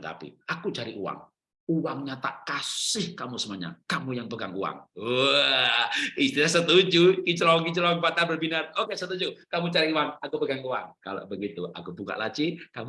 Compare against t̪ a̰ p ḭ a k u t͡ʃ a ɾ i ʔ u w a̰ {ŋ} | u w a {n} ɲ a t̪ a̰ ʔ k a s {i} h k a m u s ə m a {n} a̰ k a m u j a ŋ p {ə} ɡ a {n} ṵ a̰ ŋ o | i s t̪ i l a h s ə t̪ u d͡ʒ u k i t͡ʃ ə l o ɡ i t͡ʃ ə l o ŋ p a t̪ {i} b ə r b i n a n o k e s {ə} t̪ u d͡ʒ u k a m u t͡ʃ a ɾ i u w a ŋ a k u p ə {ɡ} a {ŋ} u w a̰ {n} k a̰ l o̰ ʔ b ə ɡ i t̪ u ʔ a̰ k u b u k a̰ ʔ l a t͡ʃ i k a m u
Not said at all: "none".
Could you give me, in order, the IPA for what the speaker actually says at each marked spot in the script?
ŋ, ŋ, ɪ, ɲ, ə, ŋ, a, ə, ɡ, ŋ, ŋ

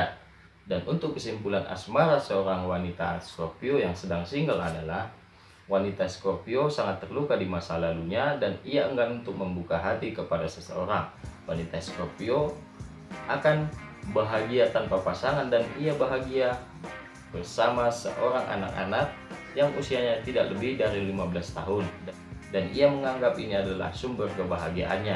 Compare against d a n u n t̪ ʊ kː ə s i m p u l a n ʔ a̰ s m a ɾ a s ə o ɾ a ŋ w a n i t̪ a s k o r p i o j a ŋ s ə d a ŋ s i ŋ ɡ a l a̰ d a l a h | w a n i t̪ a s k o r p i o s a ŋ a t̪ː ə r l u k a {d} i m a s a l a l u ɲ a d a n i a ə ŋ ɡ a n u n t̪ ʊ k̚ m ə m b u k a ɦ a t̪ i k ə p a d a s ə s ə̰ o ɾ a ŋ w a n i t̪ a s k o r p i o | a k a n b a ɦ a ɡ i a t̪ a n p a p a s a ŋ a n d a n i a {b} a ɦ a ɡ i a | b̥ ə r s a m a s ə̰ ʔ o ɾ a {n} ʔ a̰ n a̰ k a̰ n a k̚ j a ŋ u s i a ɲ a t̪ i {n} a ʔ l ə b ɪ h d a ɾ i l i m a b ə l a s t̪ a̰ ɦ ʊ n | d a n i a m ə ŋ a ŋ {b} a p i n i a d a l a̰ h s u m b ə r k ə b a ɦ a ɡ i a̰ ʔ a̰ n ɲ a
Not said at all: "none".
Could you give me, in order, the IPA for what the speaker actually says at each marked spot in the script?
d, b, ŋ, d, ɡ

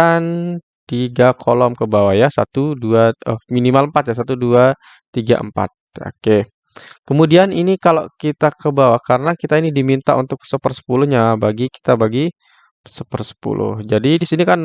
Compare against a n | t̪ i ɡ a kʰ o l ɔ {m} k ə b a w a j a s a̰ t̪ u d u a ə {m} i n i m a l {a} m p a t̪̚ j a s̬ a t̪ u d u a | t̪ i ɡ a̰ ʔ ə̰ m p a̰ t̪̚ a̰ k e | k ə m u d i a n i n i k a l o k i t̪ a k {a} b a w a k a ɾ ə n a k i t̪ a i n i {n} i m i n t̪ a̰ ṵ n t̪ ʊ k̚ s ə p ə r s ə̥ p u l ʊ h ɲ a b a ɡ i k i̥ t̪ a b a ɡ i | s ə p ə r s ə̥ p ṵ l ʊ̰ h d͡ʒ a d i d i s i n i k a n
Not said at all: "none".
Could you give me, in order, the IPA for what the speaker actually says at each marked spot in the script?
m, m, ə, ə, d

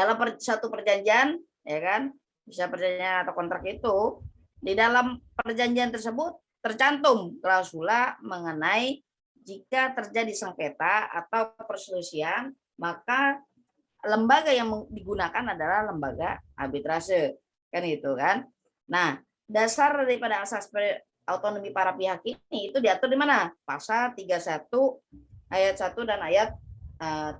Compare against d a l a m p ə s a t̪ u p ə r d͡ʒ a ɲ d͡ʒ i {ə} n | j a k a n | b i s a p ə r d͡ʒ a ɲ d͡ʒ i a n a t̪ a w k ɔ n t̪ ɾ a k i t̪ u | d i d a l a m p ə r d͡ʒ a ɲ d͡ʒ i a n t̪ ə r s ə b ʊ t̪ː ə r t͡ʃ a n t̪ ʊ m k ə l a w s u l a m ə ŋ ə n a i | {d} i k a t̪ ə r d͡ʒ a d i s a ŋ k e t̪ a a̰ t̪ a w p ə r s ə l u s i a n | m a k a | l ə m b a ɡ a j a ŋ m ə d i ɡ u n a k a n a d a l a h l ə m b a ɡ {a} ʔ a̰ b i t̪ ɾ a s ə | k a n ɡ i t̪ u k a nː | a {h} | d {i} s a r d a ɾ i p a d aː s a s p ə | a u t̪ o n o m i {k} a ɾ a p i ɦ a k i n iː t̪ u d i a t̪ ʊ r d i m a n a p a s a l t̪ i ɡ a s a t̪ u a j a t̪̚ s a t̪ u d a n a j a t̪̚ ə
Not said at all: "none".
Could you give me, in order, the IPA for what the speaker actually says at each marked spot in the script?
a, d͡ʒ, a, h, a, p

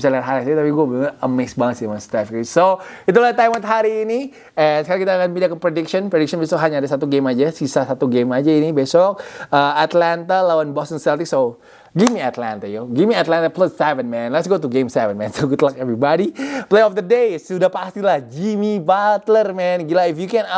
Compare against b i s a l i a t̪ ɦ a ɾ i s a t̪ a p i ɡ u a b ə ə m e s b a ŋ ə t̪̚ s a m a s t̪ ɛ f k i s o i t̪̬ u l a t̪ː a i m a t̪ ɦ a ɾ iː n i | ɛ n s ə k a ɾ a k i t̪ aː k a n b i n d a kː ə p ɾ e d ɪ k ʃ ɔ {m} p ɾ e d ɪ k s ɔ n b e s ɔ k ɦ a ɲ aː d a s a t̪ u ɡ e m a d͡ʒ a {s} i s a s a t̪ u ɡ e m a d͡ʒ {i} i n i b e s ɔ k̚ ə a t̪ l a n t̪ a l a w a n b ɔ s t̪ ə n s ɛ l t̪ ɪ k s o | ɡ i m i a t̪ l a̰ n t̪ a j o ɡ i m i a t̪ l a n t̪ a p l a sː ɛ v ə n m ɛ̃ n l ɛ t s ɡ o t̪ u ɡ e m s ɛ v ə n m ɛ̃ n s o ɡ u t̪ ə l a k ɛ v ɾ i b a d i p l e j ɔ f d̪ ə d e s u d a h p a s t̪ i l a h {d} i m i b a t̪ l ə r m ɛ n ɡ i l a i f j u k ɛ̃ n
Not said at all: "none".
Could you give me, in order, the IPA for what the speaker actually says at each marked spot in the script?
n, s, a, d͡ʒ

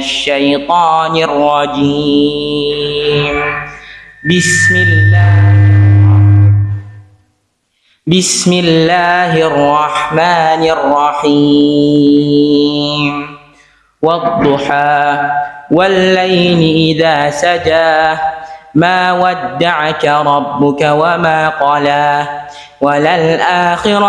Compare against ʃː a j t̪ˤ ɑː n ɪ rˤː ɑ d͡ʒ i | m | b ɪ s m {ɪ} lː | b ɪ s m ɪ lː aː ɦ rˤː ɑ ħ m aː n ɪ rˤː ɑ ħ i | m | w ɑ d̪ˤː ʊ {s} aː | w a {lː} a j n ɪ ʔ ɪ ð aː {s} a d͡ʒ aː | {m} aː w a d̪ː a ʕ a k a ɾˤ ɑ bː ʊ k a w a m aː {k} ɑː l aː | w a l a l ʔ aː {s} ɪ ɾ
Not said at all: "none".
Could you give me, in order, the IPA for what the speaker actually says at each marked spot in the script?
ɪ, ħ, lː, s, m, q, x

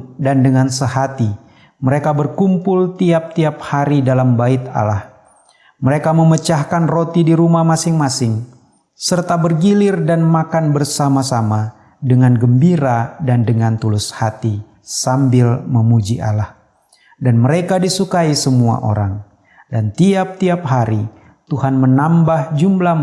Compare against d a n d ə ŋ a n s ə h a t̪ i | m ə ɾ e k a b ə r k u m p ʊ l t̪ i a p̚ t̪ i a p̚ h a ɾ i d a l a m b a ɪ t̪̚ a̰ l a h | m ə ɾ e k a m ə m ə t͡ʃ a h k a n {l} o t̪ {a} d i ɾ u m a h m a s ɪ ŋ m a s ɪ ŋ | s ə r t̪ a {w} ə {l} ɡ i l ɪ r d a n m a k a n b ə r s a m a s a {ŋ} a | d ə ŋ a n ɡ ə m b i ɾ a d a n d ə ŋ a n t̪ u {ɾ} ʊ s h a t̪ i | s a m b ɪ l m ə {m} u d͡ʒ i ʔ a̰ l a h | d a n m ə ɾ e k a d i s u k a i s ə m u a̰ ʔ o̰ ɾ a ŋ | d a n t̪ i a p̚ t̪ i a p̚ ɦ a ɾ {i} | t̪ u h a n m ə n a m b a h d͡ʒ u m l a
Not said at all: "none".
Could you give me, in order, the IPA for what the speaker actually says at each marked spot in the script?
r, i, b, r, m, l, m, i

